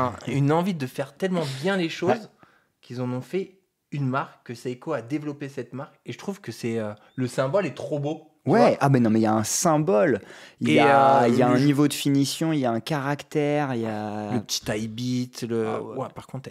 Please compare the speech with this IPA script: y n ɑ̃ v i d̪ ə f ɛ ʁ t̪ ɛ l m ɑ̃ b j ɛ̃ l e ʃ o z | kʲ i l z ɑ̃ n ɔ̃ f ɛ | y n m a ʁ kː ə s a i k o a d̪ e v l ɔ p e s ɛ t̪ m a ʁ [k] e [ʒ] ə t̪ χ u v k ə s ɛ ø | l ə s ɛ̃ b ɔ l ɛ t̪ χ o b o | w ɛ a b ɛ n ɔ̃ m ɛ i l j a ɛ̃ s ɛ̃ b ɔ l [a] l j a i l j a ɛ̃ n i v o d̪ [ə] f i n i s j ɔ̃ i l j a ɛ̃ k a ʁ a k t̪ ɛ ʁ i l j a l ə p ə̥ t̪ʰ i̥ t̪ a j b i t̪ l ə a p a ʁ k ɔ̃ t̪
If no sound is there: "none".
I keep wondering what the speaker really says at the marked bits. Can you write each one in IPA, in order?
k, ʒ, i, ə

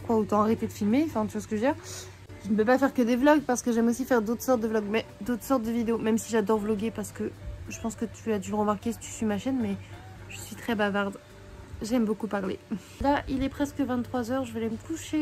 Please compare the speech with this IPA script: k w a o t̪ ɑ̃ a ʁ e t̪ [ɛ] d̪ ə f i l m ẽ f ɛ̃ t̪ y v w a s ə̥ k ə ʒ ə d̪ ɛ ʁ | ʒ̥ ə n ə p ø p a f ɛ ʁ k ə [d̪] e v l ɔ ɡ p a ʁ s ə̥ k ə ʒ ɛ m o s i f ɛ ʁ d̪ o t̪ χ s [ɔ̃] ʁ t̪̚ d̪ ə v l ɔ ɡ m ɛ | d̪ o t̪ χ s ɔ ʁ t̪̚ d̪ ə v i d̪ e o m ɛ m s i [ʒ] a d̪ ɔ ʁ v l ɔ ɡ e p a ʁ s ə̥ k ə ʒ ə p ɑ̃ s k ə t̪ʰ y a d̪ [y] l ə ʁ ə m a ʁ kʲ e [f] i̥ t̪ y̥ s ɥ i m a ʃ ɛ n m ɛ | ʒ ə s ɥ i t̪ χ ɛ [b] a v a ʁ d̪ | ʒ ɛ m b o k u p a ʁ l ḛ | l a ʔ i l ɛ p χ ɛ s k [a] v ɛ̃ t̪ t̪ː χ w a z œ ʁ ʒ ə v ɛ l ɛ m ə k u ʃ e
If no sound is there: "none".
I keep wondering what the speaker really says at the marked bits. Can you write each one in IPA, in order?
e, d̪, ɔ, ʒ, y, s, b, ə

